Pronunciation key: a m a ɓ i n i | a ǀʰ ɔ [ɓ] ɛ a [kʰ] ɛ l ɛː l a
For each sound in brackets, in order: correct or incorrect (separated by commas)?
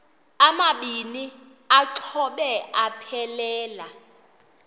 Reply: correct, incorrect